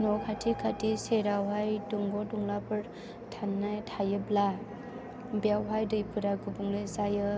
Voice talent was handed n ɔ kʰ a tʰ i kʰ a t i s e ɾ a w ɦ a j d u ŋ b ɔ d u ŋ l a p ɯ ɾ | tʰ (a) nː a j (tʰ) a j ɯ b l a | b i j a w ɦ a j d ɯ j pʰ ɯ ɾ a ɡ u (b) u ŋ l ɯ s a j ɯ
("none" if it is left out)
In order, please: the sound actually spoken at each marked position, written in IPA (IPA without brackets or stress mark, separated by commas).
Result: a, tʰ, b